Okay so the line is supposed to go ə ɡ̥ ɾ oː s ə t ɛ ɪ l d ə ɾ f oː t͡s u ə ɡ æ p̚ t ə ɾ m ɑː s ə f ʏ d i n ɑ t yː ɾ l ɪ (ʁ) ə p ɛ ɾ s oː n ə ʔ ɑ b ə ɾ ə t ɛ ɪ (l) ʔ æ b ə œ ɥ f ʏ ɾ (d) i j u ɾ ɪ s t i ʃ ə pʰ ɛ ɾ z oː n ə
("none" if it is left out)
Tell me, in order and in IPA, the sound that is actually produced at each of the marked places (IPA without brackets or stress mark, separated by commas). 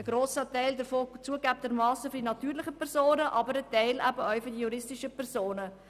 χ, l, d